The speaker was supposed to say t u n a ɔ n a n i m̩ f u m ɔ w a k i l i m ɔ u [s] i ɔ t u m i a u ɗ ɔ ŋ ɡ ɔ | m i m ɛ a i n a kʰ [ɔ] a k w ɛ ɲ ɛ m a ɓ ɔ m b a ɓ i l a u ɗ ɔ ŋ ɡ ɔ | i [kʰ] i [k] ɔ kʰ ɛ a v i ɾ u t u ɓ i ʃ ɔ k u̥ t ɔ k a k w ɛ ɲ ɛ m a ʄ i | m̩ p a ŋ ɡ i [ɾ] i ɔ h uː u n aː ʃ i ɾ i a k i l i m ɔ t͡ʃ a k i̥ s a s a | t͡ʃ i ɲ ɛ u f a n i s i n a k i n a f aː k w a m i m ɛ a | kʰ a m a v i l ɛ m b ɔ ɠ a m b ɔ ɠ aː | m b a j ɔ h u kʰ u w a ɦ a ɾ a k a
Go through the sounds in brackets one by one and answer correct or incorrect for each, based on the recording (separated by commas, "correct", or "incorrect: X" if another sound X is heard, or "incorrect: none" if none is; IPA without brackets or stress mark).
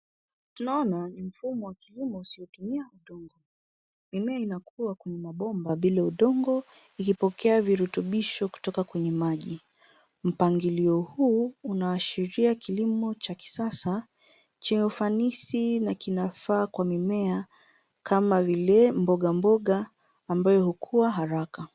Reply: correct, incorrect: u, incorrect: k, incorrect: p, incorrect: l